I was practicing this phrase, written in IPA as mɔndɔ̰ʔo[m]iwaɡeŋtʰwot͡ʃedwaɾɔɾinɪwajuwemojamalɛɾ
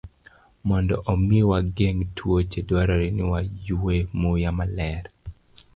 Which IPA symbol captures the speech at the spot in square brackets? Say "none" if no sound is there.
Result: m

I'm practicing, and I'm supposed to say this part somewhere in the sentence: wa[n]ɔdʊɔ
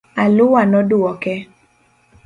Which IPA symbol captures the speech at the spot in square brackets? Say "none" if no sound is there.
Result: n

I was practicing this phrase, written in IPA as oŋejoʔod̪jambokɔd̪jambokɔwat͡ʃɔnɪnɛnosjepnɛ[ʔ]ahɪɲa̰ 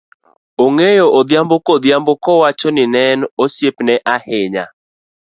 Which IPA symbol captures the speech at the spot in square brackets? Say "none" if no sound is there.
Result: ʔ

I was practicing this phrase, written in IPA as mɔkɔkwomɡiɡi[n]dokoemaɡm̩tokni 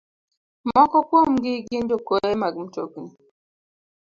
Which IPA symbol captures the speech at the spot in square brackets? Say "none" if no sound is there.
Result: n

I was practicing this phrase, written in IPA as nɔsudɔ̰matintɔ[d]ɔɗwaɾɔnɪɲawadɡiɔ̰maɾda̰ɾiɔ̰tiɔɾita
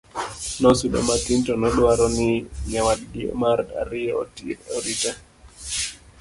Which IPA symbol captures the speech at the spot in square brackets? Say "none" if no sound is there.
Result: n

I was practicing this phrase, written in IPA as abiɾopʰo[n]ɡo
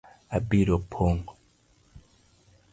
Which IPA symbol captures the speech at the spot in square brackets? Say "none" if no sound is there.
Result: ŋ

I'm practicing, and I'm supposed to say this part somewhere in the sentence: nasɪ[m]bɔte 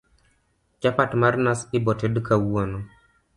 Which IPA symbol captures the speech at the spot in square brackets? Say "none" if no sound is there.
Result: none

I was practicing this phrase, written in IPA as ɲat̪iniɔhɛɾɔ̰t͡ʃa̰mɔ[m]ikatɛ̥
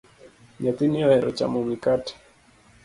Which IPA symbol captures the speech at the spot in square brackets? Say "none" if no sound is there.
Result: m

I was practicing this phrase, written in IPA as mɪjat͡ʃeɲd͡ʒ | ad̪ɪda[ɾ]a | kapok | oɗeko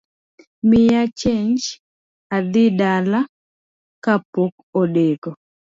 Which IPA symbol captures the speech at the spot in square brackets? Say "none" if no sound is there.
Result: l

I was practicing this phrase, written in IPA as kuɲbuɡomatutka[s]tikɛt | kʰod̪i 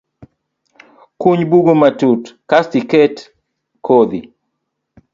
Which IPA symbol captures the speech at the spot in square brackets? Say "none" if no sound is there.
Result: s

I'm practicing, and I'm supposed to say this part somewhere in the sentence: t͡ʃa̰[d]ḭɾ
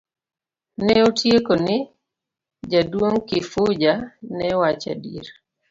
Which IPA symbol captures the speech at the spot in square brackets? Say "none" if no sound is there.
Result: d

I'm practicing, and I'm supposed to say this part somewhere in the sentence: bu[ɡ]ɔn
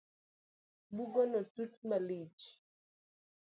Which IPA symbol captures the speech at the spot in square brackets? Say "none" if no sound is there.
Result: ɡ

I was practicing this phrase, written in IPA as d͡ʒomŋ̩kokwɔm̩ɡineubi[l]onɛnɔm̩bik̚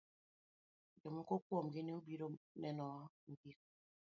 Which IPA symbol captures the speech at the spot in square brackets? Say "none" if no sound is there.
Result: ɾ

